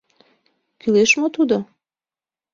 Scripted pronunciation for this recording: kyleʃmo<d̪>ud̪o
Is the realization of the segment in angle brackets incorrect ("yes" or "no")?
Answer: yes